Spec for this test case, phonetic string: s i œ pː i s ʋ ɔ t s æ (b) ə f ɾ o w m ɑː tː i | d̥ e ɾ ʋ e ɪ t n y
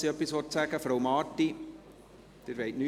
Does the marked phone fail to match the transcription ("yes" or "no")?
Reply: yes